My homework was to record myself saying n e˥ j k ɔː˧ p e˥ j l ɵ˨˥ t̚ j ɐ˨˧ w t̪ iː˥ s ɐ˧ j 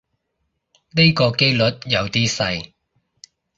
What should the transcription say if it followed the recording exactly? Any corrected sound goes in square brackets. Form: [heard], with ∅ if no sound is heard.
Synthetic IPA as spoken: n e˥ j k ɔː˧ [k] e˥ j l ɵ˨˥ t̚ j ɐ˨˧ w t̪ iː˥ s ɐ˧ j